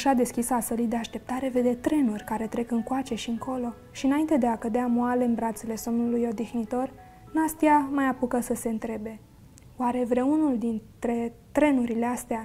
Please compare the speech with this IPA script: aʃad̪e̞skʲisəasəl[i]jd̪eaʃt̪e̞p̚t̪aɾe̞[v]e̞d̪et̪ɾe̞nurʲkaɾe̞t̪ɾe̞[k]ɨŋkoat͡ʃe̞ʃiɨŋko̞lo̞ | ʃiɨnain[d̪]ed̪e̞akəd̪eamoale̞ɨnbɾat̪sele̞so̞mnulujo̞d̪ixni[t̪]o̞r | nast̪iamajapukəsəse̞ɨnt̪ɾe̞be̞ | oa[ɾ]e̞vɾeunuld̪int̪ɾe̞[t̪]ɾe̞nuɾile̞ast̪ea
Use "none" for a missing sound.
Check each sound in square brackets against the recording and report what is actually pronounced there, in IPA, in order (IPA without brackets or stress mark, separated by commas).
i, v, k, t̪, t̪, ɾ, t̪